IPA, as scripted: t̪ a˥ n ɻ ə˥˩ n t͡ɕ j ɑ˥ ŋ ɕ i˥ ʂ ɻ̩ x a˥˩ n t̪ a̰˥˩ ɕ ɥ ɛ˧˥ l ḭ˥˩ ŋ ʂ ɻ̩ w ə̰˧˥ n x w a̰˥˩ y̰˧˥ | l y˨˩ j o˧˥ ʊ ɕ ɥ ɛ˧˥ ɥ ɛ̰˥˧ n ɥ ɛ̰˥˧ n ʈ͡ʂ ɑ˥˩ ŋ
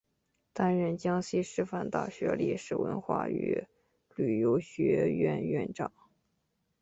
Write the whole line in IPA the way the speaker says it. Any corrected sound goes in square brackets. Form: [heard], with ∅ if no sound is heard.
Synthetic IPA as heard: t̪ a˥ n ɻ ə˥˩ n t͡ɕ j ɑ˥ ŋ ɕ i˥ ʂ ɻ̩ [f] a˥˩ n t̪ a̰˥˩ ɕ ɥ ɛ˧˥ l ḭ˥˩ [∅] ʂ ɻ̩ w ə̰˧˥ n x w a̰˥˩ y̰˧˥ | l y˨˩ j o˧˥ ʊ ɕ ɥ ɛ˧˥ ɥ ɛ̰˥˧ n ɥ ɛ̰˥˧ n ʈ͡ʂ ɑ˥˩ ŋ